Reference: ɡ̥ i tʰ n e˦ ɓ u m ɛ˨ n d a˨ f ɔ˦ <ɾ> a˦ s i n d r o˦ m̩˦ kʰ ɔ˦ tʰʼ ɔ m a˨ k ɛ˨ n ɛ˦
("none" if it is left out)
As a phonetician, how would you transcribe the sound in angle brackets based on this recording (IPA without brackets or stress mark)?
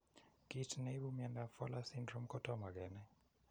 l